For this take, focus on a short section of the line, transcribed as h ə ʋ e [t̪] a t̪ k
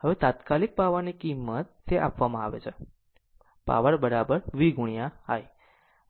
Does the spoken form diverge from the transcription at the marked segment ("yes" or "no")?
no